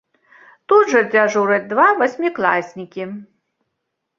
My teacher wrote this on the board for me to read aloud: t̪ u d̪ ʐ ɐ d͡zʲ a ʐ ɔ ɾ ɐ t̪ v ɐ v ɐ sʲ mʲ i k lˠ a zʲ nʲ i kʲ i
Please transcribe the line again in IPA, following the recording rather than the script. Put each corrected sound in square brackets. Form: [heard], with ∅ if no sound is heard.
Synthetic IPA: t̪ u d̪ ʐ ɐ d͡zʲ a ʐ [u] ɾ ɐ [d̪] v [a] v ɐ sʲ mʲ i k lˠ a [sʲ] nʲ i kʲ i